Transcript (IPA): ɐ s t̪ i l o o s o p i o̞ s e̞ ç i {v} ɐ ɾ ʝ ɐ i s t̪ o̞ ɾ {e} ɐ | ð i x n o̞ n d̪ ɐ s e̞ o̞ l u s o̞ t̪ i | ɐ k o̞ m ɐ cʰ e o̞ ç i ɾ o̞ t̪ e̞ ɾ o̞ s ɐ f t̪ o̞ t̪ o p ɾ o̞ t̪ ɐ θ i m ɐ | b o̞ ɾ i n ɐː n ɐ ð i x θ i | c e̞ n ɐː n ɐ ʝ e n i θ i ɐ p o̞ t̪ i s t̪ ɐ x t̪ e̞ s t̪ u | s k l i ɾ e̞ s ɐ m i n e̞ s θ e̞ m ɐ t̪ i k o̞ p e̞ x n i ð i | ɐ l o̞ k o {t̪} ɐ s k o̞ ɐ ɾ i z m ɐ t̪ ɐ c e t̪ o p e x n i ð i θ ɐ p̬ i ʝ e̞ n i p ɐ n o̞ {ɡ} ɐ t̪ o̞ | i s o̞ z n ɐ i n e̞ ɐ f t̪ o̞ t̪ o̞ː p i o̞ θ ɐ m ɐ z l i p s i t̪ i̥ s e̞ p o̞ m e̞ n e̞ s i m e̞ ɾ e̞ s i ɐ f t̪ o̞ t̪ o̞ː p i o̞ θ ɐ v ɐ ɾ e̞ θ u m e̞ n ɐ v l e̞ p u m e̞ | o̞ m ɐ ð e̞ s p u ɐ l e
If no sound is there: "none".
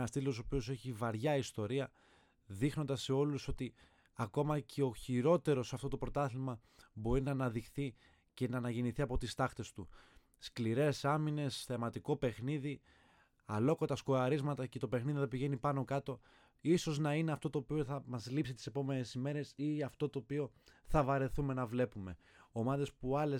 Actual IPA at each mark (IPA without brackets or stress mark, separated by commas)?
v, i, t̪, k